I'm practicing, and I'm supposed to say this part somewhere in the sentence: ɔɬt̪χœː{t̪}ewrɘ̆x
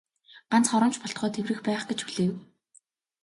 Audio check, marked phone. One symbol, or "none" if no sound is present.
t̪ʰ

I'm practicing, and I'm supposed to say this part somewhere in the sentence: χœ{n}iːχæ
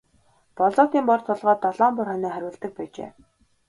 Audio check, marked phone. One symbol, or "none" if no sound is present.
n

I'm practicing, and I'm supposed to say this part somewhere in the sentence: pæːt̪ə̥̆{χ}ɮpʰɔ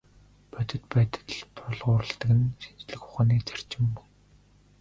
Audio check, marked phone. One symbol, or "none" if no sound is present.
none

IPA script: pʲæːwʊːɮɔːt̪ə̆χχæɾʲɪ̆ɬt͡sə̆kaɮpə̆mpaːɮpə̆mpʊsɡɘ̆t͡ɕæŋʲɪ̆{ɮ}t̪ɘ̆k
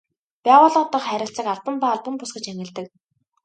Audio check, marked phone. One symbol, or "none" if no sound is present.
ɮ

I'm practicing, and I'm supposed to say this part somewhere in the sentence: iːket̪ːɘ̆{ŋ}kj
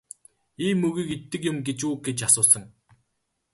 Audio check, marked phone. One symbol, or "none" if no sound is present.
none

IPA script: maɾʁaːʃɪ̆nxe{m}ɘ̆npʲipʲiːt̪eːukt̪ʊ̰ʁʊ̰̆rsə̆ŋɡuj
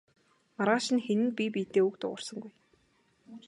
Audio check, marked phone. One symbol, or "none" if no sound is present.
n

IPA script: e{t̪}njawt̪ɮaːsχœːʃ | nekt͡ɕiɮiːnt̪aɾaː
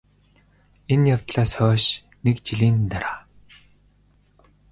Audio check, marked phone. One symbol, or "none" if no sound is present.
none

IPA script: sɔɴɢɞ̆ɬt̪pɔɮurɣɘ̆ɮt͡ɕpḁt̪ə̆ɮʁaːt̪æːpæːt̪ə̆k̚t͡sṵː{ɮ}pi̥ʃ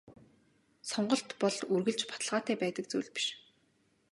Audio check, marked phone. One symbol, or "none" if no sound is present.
ɮ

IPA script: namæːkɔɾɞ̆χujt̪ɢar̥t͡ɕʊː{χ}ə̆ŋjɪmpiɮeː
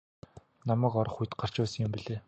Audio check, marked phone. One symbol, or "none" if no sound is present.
s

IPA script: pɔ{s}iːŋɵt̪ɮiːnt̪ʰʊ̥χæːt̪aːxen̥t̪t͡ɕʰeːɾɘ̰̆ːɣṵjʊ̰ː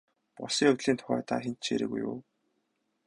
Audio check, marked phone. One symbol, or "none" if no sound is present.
s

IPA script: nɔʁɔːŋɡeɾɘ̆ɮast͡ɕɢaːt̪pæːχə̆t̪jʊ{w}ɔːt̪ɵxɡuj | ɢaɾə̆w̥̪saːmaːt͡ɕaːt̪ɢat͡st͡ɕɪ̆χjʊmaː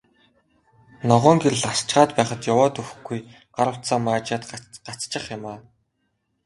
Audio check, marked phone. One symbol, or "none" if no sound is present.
w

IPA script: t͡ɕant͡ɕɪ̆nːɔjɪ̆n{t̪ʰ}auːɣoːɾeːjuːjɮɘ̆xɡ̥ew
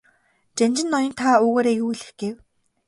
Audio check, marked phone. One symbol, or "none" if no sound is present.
t̪ʰ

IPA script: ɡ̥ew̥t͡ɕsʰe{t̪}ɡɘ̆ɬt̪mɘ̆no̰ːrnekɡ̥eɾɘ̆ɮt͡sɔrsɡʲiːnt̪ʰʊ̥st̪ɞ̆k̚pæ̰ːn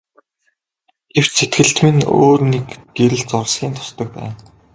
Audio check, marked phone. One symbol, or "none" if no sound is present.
t̪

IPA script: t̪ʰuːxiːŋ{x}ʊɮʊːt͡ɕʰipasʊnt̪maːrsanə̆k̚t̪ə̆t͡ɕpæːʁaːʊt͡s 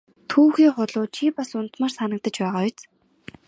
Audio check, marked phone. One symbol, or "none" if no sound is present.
χ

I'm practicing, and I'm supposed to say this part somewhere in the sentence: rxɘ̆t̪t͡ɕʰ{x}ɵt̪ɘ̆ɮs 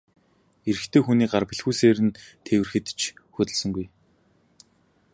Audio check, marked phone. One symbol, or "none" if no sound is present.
x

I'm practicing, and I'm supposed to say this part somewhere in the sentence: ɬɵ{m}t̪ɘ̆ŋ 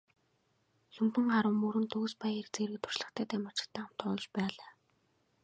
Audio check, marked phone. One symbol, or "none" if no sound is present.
m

